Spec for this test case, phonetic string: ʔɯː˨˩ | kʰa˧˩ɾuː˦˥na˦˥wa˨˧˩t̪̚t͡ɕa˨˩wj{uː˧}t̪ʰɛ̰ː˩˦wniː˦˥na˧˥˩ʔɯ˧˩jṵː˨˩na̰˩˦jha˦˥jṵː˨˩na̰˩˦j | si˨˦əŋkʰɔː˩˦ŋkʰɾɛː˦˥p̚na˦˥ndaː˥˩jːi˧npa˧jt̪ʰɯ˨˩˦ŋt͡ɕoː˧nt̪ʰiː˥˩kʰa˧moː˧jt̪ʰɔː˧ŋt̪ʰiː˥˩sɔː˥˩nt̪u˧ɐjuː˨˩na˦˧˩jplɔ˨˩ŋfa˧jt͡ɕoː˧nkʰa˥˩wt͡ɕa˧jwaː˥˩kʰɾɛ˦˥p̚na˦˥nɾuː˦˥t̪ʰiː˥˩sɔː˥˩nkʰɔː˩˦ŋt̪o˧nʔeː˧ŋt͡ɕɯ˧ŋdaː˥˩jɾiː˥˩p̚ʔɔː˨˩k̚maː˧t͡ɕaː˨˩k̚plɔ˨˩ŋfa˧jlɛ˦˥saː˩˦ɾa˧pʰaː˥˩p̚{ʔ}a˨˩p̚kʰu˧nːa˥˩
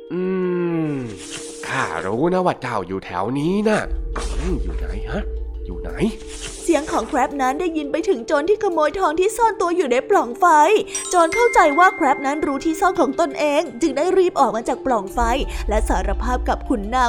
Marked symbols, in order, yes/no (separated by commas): no, no